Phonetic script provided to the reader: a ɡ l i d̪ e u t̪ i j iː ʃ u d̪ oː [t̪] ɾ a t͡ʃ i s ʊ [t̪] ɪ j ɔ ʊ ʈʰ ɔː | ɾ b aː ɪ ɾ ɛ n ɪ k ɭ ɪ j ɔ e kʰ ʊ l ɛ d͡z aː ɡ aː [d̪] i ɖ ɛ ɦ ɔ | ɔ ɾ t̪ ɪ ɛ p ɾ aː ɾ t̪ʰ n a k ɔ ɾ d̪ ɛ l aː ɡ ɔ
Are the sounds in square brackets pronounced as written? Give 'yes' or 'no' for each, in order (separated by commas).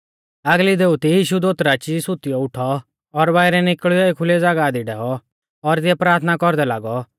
yes, yes, yes